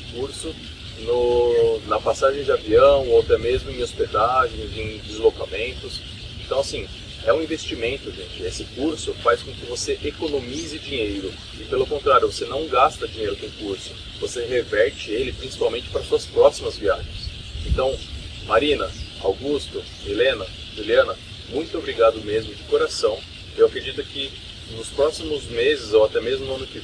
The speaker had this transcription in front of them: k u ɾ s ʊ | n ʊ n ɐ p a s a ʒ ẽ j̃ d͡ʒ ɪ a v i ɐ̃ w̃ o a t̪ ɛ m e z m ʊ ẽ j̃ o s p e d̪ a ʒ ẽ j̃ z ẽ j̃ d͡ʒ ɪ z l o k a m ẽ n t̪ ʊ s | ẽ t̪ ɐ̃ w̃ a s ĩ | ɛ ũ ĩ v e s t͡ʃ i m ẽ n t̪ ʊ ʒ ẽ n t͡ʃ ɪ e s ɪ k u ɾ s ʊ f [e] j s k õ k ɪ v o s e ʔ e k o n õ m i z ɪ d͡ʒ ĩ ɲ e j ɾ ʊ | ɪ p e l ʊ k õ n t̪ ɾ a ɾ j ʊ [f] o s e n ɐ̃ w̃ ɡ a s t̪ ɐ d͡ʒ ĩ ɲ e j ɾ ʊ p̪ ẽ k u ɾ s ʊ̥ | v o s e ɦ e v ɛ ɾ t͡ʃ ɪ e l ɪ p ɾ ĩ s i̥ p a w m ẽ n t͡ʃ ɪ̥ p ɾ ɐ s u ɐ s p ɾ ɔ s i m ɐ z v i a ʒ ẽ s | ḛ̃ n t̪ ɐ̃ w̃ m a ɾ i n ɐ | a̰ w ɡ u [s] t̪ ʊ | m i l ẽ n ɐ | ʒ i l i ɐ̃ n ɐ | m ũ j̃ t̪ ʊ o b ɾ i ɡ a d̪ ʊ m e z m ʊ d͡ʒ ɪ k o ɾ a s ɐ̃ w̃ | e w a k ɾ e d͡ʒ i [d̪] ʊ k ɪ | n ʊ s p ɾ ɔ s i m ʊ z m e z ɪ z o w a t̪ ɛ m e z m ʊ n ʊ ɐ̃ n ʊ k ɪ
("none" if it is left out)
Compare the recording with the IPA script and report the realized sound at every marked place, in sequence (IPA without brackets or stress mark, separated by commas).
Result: a, v, s, t̪